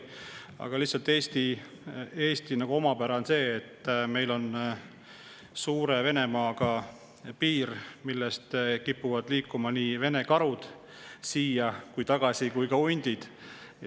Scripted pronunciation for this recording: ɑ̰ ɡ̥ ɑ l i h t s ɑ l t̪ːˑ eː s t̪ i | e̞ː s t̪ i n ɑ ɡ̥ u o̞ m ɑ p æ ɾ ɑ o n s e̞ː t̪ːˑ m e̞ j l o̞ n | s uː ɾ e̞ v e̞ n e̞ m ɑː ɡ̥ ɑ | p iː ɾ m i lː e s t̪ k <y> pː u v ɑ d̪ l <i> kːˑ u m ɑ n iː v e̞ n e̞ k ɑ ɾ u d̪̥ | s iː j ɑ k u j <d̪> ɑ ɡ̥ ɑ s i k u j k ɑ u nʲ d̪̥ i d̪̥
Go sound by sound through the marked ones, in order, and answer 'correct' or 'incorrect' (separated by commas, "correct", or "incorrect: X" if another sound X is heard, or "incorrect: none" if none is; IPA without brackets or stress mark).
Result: incorrect: i, incorrect: iː, incorrect: t̪